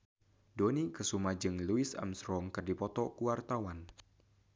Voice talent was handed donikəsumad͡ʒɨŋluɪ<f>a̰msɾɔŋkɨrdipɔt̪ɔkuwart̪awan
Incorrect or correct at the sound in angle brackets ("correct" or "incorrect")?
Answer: incorrect